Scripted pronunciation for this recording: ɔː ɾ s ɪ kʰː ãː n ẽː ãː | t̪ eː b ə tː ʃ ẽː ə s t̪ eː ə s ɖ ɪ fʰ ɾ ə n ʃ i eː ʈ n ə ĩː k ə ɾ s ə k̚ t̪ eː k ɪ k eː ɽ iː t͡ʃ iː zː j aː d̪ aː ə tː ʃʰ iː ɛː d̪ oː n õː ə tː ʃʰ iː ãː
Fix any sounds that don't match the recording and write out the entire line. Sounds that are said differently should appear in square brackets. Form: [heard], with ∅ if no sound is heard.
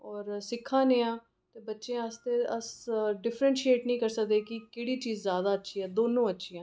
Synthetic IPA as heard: ɔː ɾ s ɪ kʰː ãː n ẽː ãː | t̪ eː b ə tː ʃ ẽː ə s t̪ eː ə s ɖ ɪ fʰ ɾ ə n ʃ i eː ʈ n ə ĩː k ə ɾ s ə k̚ [d̪] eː k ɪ k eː ɽ iː t͡ʃ iː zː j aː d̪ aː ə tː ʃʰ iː ɛː d̪ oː n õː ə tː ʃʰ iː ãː